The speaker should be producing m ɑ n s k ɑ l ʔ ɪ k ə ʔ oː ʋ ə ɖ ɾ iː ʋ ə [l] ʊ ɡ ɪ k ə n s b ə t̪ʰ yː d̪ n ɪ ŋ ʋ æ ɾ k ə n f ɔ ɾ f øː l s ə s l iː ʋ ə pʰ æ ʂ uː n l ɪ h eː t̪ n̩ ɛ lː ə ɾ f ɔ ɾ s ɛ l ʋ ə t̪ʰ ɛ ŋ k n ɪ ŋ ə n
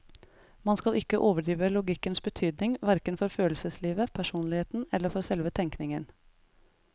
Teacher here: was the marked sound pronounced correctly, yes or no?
yes